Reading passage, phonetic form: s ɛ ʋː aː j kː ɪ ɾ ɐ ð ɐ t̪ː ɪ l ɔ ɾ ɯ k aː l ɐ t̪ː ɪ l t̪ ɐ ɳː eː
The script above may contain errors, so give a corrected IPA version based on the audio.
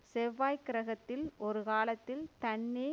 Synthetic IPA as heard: s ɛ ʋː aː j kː ɪ ɾ ɐ ɣ ɐ t̪ː ɪ l ɔ ɾ ɯ k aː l ɐ t̪ː ɪ l t̪ ɐ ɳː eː